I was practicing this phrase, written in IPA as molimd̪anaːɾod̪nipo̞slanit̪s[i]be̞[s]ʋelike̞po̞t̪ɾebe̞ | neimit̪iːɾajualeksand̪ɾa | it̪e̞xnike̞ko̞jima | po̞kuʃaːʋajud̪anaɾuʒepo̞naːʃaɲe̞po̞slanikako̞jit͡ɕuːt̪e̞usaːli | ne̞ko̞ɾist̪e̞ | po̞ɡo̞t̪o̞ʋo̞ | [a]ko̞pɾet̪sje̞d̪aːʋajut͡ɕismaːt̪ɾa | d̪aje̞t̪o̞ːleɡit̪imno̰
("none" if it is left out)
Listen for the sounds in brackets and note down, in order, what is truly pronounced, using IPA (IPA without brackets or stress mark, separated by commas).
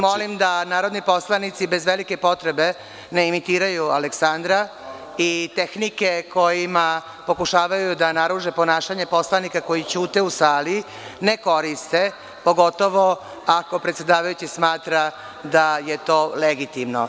i, z, a